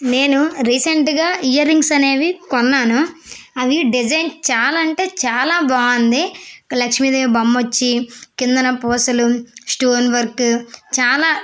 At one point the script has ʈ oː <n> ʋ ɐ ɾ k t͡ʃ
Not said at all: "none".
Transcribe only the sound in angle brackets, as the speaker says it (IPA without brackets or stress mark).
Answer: n